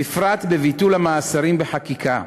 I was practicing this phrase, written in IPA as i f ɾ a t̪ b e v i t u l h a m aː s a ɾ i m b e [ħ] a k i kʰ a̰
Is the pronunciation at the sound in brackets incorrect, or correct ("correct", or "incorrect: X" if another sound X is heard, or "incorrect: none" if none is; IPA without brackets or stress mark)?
correct